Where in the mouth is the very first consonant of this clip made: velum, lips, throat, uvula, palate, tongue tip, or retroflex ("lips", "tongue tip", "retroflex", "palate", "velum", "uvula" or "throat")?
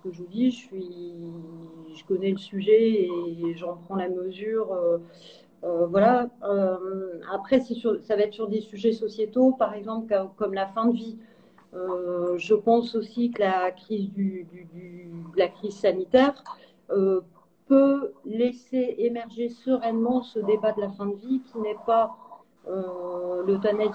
velum